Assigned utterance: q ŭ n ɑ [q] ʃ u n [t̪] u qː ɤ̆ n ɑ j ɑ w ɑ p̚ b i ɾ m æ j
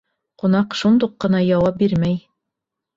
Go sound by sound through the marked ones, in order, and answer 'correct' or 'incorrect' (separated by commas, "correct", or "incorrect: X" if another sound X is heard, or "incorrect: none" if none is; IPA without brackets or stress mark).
correct, incorrect: d̪